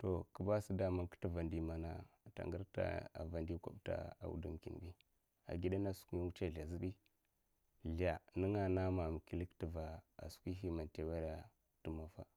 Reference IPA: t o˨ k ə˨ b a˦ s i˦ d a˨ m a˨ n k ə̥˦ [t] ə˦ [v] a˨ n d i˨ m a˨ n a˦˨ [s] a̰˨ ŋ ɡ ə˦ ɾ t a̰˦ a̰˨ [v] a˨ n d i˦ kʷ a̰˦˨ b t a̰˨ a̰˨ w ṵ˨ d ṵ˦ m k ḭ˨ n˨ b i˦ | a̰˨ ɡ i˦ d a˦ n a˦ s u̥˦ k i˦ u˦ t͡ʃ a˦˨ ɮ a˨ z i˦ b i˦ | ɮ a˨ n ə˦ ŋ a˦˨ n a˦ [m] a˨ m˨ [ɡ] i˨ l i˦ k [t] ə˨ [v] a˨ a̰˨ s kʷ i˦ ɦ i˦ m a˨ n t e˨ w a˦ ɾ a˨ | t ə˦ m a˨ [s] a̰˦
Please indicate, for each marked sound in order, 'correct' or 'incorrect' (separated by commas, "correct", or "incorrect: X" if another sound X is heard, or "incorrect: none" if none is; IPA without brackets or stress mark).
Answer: correct, correct, incorrect: t, correct, correct, incorrect: k, correct, correct, incorrect: f